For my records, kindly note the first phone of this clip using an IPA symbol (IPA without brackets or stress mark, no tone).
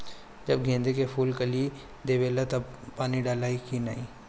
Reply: d͡ʒ